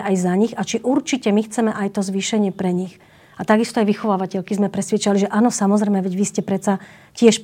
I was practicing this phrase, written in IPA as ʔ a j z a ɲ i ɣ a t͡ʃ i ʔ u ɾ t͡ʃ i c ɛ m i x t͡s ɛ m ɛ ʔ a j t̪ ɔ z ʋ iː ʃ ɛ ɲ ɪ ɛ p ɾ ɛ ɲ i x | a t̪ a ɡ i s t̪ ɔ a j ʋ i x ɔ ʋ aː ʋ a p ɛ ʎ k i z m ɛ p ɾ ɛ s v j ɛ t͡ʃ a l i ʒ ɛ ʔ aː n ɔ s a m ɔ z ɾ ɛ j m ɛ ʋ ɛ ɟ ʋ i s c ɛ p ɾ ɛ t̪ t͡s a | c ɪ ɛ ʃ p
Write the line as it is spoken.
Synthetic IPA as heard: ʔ a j z a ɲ i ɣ a t͡ʃ i ʔ u ɾ t͡ʃ i c ɛ m i x t͡s ɛ m ɛ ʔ a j t̪ ɔ z ʋ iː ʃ ɛ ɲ ɪ ɛ p ɾ ɛ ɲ i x | a t̪ a ɡ i s t̪ ɔ a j ʋ i x ɔ ʋ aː ʋ a c ɛ ʎ k i z m ɛ p ɾ ɛ s ʋ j ɛ t͡ʃ a l i ʒ ɛ ʔ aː n ɔ s a m ɔ z ɾ ɛ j m ɛ ʋ ɛ ɟ ʋ i s c ɛ p ɾ ɛ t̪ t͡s a | c ɪ ɛ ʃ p